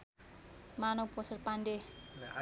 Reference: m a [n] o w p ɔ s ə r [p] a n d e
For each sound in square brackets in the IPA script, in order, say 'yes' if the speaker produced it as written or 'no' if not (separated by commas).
yes, yes